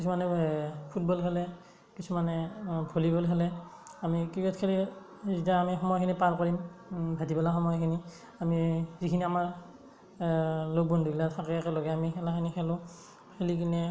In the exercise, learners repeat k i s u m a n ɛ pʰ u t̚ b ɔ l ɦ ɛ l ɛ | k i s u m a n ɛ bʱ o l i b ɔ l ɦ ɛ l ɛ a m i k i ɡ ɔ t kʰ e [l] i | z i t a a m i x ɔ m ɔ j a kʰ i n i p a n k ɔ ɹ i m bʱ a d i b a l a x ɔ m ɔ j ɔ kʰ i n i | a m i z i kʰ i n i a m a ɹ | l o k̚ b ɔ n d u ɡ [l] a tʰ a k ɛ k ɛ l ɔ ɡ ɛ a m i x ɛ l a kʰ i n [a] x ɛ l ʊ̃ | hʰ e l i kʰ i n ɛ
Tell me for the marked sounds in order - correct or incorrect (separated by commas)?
correct, correct, incorrect